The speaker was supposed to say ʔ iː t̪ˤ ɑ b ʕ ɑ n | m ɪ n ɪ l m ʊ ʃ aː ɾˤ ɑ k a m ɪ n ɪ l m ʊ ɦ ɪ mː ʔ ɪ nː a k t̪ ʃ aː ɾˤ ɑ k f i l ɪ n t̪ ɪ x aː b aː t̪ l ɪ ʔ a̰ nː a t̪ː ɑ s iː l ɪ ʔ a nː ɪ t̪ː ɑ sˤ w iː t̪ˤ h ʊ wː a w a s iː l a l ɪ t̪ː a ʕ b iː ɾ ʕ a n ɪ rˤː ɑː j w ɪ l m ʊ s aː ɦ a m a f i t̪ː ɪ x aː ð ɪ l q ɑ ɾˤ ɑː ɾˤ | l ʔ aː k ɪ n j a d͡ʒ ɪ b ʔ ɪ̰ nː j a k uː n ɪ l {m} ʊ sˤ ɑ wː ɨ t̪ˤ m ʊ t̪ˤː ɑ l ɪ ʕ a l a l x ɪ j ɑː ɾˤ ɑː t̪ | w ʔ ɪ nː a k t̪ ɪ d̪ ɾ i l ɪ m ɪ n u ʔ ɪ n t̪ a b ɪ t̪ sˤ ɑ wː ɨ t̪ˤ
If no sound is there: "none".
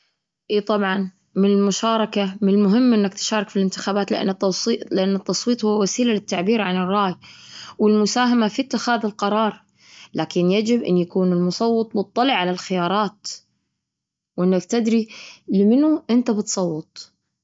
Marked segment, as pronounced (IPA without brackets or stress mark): m